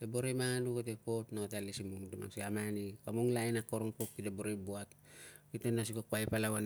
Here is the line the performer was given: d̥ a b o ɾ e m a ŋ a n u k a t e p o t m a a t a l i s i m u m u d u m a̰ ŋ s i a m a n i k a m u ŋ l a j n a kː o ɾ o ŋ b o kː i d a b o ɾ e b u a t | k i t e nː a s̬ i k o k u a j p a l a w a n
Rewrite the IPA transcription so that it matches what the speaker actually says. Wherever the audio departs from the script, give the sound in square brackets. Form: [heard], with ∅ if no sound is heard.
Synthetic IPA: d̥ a b o ɾ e m a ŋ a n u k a t e p o t [n] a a t a l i s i m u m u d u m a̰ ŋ s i a m a n i k a m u ŋ l a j n a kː o ɾ o ŋ [p] o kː i d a b o ɾ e b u a t | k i t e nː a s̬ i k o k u a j p a l a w a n